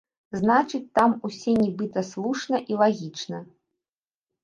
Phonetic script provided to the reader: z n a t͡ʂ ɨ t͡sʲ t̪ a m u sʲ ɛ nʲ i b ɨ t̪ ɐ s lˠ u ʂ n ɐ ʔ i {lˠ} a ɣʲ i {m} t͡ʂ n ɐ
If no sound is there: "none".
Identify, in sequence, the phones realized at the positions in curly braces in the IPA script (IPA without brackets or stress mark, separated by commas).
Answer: lˠ, none